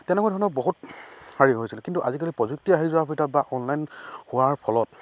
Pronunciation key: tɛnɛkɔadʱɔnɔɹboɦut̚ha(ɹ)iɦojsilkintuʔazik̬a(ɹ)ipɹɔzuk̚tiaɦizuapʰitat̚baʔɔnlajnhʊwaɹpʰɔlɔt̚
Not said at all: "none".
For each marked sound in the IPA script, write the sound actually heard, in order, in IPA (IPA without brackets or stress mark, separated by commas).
ɹ, l